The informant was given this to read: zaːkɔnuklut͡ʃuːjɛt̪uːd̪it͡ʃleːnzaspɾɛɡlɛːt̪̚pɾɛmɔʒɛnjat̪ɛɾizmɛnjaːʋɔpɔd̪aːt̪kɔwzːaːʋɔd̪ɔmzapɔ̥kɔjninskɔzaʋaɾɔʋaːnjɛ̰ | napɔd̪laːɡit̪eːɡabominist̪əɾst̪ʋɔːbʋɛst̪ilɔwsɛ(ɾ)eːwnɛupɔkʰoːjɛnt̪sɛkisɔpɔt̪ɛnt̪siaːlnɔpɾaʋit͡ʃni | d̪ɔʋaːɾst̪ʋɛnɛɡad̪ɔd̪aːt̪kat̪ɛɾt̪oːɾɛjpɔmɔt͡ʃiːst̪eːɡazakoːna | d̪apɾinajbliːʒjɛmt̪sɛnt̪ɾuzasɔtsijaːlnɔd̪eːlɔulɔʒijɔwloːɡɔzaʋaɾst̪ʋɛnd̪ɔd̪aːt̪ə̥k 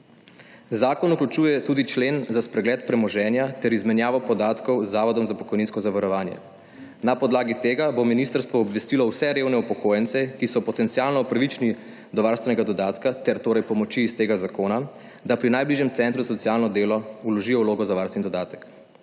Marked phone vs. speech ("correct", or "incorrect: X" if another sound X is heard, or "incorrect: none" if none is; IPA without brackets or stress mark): correct